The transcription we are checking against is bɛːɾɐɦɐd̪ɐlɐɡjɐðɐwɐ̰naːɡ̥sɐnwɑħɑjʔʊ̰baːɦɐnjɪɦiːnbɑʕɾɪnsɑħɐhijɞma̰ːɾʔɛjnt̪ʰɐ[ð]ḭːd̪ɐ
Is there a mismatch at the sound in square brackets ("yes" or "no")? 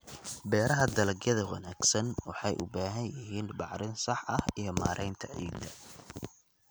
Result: yes